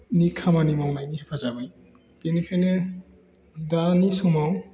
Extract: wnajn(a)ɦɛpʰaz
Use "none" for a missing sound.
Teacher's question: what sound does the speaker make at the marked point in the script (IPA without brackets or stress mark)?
i